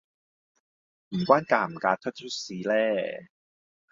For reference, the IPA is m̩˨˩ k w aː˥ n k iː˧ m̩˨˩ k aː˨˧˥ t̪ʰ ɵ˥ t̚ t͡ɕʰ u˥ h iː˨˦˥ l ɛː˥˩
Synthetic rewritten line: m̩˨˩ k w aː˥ n k aː˧ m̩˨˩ k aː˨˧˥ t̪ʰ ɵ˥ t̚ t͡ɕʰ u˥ s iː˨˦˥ l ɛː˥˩